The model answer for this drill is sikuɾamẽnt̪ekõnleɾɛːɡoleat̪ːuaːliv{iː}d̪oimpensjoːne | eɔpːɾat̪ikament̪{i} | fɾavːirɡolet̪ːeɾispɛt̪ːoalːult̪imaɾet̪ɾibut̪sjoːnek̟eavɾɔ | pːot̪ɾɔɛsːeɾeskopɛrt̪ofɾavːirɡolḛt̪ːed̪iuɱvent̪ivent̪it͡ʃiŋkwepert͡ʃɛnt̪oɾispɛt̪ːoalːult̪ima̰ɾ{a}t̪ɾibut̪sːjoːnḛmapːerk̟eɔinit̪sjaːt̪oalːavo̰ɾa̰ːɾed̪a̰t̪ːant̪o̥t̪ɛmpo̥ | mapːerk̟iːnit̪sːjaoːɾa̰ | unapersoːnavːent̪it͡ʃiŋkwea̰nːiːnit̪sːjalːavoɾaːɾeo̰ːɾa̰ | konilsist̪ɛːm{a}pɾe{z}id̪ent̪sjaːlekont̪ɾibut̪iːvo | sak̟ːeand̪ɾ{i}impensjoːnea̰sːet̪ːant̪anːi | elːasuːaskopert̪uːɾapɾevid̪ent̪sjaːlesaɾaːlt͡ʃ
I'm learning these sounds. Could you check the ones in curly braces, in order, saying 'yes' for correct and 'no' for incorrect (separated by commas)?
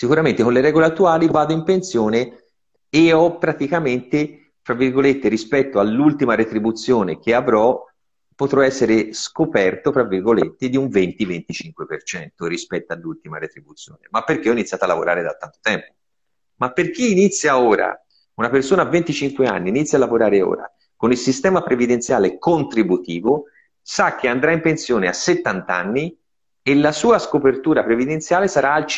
no, no, no, yes, no, no